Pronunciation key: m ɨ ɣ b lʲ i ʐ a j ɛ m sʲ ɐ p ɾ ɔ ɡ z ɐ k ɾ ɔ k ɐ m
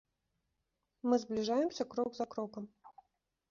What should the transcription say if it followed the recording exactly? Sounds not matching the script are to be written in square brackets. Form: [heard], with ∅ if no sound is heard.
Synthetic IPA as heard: m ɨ [z] b lʲ i ʐ a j ɛ m sʲ ɐ [k] ɾ ɔ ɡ z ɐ k ɾ ɔ k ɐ m